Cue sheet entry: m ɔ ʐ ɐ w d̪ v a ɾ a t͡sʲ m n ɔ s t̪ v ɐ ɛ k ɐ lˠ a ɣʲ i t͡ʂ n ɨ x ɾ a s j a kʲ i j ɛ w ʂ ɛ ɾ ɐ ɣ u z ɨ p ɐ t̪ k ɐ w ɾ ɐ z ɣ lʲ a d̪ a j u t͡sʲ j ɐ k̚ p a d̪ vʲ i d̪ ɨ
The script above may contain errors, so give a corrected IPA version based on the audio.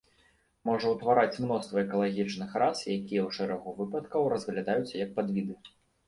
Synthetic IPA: m ɔ ʐ ɐ w t̪ v a ɾ a t͡sʲ m n ɔ s t̪ v ɐ ɛ k ɐ lˠ a ɣʲ i t͡ʂ n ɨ x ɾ a s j a kʲ i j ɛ w ʂ ɛ ɾ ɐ ɣ u v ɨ p ɐ t̪ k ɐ w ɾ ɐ z ɣ lʲ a d̪ a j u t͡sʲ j ɐ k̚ p a d̪ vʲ i d̪ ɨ